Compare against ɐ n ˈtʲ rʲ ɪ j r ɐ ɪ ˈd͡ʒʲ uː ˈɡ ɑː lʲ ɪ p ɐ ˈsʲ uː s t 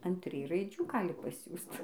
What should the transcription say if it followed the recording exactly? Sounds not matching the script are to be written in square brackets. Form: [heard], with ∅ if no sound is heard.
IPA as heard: ɐ n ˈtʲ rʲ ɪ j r ɐ ɪ ˈd͡ʒʲ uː ˈɡ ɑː lʲ ɪ p ɐ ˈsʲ uː s t